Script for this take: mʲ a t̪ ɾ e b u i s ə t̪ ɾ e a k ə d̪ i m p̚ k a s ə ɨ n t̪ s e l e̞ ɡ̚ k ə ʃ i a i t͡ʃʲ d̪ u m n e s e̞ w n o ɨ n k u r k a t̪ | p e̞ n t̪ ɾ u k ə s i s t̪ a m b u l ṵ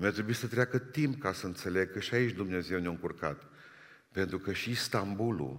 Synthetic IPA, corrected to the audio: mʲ a t̪ ɾ e b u i s ə t̪ ɾ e a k ə t̪ i m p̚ k a s ə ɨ n t̪ s e l e̞ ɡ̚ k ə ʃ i a i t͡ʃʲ d̪ u m n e z e̞ w n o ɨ ŋ k u r k a t̪ | p e̞ n t̪ ɾ u k ə ʃ i s t̪ a m b u l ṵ